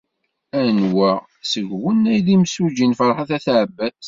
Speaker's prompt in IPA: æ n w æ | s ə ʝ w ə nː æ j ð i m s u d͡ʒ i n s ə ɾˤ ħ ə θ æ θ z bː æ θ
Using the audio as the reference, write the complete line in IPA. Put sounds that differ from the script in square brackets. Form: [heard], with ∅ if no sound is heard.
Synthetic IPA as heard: æ n w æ | s ə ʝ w ə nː æ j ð i m s u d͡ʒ i n [f] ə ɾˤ ħ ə θ æ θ [ʕ] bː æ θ